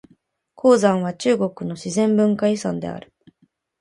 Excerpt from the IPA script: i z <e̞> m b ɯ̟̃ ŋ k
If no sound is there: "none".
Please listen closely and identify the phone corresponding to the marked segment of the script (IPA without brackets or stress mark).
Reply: ẽ̞